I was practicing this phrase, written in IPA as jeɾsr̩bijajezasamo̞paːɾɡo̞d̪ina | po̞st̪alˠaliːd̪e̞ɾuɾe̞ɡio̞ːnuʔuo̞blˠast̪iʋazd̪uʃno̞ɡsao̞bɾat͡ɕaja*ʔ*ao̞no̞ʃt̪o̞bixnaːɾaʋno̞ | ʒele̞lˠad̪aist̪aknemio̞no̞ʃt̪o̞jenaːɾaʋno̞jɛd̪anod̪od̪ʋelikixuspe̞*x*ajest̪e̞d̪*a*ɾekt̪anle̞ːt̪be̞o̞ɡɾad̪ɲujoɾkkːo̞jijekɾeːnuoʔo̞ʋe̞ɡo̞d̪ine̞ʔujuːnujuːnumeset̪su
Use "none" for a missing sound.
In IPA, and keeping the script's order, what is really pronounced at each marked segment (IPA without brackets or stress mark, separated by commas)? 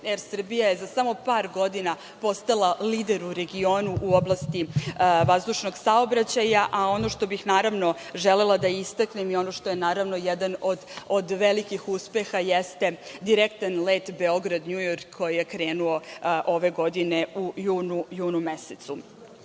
ʔ, x, i